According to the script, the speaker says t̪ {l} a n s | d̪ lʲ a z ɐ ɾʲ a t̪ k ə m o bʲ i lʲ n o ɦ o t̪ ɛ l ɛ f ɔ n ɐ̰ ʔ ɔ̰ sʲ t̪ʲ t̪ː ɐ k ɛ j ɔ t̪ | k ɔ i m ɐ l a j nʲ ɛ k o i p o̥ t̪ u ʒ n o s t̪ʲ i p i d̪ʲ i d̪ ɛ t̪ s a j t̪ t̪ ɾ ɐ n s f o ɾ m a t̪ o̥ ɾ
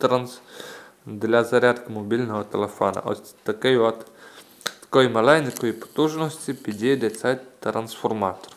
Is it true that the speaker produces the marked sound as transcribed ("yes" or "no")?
no